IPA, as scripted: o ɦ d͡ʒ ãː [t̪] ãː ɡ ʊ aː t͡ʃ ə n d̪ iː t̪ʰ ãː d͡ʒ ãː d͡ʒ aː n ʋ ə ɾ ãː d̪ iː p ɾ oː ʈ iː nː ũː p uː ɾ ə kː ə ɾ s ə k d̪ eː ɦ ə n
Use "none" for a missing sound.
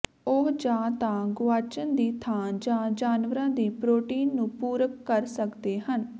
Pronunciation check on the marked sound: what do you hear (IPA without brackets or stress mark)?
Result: t̪